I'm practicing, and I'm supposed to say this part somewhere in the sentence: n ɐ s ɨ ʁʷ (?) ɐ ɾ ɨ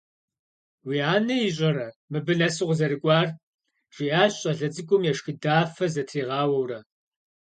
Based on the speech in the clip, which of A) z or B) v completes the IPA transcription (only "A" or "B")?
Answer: A